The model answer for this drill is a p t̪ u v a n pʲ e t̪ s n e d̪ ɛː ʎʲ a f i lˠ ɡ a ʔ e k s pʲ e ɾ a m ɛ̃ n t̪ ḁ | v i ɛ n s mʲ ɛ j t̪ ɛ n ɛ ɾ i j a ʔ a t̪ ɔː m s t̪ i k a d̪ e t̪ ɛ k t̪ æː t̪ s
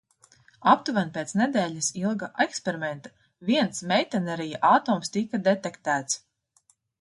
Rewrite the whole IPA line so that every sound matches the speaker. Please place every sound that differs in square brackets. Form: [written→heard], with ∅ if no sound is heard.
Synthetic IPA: a p t̪ u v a n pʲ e t̪ s n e d̪ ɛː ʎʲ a [f→s] i lˠ ɡ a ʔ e k s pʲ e ɾ [a→i] m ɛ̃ n t̪ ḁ | v i ɛ n s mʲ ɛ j t̪ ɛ n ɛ ɾ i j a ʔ a t̪ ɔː m s t̪ i k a d̪ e t̪ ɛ k t̪ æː t̪ s